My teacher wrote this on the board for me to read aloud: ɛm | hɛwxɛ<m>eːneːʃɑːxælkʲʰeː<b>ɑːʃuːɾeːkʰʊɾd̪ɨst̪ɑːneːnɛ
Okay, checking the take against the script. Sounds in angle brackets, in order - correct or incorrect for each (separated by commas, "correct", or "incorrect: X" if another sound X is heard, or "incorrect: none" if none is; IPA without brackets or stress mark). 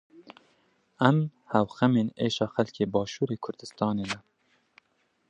correct, correct